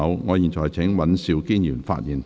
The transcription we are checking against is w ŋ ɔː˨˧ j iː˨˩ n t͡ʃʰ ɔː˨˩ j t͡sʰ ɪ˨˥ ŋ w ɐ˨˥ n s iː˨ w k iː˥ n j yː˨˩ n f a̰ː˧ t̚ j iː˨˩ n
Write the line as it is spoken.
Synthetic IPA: w ŋ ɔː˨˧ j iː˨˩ n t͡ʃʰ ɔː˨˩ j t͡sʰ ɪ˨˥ ŋ w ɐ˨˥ n s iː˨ w k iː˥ n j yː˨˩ n f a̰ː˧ t̚ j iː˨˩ n